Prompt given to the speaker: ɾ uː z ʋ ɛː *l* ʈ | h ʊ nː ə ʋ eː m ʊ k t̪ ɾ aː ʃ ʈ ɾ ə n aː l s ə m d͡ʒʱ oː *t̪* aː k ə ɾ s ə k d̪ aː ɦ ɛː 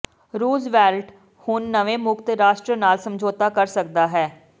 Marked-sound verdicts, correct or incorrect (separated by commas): correct, correct